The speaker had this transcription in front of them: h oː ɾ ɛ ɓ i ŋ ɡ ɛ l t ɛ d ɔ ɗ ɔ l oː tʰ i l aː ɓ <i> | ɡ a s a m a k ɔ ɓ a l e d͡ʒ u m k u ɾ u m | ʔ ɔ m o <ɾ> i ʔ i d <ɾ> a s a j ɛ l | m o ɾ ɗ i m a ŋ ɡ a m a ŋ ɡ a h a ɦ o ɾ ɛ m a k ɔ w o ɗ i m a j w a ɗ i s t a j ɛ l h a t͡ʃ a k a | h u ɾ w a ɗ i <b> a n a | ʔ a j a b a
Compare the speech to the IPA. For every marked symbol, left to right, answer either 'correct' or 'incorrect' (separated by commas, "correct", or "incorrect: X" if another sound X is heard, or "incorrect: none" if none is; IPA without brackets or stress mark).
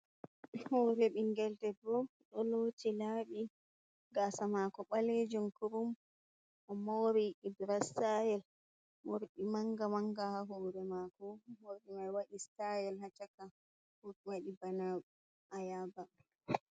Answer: correct, correct, correct, correct